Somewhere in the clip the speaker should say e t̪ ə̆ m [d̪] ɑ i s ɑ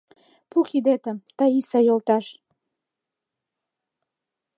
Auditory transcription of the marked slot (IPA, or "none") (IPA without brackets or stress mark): t̪